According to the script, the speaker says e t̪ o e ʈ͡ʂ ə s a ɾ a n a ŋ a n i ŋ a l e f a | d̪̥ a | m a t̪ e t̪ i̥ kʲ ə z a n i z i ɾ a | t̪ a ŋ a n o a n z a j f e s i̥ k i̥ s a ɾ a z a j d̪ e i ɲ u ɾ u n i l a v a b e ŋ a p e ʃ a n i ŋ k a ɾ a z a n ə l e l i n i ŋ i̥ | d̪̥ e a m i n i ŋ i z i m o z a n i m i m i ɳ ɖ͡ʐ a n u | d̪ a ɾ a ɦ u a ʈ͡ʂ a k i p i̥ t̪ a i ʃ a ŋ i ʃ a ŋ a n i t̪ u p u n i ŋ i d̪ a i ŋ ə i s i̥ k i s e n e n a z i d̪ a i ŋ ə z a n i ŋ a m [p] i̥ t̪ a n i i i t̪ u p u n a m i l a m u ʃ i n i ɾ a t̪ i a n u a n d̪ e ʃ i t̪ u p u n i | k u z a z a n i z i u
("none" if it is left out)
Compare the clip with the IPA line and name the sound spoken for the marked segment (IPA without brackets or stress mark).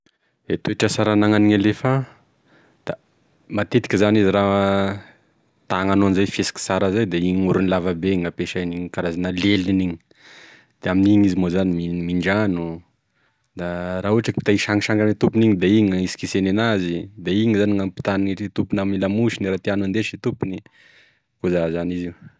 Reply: p